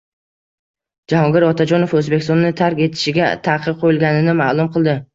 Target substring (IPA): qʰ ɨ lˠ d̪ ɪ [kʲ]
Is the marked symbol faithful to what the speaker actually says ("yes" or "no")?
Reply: no